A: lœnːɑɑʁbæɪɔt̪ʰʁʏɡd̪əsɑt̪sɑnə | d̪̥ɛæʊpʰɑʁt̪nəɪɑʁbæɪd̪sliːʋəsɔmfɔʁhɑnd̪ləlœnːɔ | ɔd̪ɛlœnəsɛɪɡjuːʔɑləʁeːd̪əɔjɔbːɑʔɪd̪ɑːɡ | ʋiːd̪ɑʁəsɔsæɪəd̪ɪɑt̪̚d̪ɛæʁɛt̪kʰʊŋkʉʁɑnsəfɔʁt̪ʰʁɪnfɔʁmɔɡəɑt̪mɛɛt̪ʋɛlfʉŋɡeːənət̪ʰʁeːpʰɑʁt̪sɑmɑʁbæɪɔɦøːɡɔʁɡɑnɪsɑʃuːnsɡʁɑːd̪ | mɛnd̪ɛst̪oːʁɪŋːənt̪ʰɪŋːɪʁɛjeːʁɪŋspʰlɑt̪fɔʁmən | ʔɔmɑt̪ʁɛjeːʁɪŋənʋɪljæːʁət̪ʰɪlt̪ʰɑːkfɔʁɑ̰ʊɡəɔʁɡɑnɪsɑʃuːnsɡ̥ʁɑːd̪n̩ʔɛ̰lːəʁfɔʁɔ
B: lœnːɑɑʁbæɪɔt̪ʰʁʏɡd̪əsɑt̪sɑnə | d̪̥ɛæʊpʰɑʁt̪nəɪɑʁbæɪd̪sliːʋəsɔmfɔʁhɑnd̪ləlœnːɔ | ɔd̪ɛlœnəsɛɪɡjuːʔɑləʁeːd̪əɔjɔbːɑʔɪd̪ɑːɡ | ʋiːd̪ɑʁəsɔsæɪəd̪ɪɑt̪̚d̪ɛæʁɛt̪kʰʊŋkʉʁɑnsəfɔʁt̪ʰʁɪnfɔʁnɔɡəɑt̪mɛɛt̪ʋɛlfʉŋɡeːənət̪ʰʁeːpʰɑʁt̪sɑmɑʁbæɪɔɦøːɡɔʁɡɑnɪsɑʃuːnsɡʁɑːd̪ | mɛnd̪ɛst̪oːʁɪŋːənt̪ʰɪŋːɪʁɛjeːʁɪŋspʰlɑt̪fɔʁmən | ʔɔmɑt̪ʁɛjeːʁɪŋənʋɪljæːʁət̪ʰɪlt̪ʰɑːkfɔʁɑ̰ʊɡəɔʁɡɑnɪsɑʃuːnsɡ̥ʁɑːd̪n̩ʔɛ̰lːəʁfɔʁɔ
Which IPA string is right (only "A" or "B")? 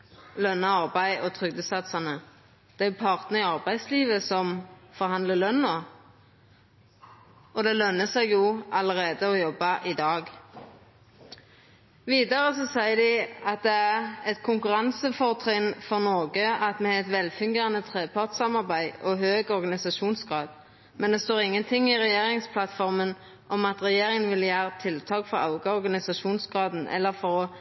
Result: B